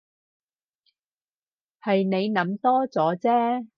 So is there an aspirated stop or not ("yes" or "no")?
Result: no